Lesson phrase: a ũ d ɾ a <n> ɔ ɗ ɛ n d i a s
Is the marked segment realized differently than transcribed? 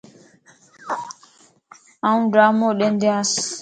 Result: yes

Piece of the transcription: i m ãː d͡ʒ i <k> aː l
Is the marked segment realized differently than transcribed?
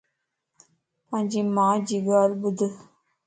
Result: yes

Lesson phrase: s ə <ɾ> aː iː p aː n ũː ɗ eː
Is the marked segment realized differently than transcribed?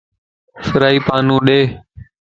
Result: no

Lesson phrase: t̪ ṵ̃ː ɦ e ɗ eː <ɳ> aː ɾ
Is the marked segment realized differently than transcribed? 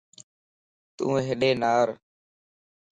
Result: yes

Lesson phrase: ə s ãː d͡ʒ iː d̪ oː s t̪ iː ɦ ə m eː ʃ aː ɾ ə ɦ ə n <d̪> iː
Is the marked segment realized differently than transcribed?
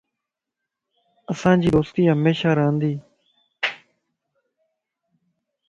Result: no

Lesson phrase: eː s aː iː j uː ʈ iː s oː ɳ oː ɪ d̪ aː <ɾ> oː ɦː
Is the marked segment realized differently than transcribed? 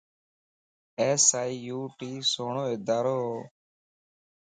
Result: no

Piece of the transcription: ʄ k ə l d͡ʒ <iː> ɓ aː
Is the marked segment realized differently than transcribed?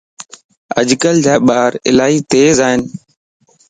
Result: yes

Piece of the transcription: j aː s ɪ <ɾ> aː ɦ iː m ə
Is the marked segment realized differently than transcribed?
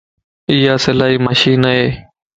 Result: yes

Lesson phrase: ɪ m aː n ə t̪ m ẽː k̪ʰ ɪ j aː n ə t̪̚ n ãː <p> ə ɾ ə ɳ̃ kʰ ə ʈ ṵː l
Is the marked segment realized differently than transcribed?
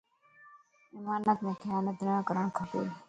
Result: yes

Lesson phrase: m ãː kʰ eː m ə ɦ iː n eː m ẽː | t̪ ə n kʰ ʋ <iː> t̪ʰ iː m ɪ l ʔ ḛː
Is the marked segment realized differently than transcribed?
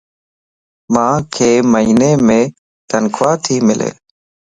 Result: yes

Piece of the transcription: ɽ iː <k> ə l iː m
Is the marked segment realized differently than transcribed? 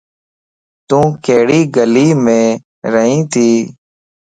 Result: yes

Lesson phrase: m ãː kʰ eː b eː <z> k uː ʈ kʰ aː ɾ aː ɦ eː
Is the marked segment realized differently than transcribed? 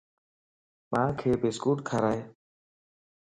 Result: yes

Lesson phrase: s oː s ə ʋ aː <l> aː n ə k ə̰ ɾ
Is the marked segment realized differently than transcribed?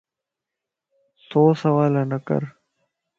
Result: no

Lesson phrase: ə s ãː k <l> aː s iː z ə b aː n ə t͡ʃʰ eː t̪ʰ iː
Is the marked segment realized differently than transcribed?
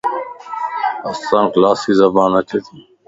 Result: no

